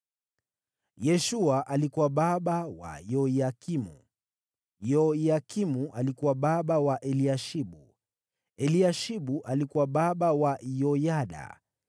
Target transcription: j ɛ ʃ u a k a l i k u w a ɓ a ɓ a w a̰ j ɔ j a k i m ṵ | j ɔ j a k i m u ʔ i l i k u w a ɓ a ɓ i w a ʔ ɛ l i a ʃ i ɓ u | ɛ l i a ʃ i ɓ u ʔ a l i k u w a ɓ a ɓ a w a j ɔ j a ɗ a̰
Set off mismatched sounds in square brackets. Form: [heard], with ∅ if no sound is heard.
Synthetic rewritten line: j ɛ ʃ u a [ʔ] a l i k u w a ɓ a ɓ a w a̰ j ɔ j a k i m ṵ | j ɔ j a k i m u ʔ [a] l i k u w a ɓ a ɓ [a] w a ʔ ɛ l i a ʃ i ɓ u | ɛ l i a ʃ i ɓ u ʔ a l i k u w a ɓ a ɓ a w a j ɔ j a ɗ a̰